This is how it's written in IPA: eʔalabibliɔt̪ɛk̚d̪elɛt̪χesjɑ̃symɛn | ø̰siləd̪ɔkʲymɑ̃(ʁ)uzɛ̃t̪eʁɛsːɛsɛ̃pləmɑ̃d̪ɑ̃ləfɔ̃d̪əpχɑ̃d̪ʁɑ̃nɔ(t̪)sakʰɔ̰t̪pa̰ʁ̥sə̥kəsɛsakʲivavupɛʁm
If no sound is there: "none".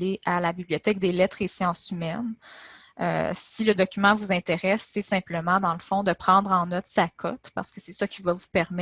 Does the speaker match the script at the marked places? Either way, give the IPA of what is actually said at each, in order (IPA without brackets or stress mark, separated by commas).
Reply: v, t̪